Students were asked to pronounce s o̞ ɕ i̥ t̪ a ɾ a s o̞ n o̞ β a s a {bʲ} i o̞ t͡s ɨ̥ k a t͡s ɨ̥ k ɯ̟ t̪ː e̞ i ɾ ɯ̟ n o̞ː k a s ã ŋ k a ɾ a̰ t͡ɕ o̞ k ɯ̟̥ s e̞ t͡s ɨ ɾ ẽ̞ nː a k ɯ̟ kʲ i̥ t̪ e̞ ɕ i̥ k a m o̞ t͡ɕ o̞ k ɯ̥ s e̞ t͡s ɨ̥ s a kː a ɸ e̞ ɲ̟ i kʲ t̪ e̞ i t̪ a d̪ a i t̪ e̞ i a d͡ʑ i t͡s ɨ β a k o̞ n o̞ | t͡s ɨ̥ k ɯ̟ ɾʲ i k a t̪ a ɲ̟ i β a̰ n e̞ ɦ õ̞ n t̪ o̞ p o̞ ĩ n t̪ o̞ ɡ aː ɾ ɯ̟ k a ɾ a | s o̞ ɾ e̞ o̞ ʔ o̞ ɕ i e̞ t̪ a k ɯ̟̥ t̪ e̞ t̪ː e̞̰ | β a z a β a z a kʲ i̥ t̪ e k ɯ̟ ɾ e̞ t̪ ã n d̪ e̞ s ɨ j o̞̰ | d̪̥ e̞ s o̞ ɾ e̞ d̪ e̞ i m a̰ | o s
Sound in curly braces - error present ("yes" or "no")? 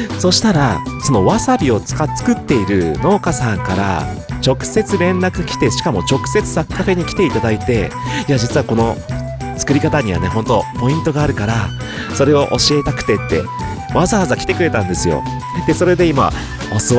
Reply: no